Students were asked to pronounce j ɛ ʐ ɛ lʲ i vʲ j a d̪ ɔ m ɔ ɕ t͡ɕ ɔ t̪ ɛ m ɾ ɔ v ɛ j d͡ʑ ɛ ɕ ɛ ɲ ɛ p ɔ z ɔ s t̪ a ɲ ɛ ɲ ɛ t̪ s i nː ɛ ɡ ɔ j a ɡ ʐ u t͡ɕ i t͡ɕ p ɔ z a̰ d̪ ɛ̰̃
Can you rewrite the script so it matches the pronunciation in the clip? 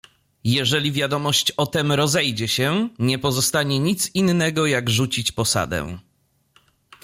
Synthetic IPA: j ɛ ʐ ɛ lʲ i vʲ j a d̪ ɔ m ɔ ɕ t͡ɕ ɔ t̪ ɛ m ɾ ɔ z ɛ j d͡ʑ ɛ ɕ ɛ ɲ ɛ p ɔ z ɔ s t̪ a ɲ ɛ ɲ i t̪ s i nː ɛ ɡ ɔ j a ɡ ʐ u t͡ɕ i t͡ɕ p ɔ s a̰ d̪ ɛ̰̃